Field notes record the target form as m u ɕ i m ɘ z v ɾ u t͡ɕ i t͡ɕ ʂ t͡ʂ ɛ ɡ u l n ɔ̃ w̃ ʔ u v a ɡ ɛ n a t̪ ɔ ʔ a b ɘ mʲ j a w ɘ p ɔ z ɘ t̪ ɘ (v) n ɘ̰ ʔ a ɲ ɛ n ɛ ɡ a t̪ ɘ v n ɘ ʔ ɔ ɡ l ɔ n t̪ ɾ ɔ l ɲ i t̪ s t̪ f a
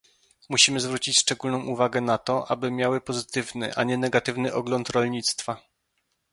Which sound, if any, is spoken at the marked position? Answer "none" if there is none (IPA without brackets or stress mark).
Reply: v